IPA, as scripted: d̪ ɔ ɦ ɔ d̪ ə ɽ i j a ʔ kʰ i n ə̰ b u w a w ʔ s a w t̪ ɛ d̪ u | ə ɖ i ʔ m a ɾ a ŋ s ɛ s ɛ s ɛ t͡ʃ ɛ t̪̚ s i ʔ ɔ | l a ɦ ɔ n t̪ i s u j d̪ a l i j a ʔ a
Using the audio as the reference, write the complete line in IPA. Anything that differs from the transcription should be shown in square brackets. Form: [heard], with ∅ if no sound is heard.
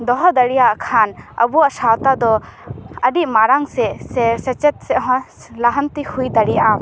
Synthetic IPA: d̪ ɔ ɦ ɔ d̪ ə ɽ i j a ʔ kʰ [a] n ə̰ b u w a [∅] ʔ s a w t̪ [a] d̪ [ɔ] | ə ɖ i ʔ m a ɾ a ŋ s ɛ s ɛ s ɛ t͡ʃ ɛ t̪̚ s [ɛ] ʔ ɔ | l a ɦ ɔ n t̪ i [h] u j d̪ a [ɽ] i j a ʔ a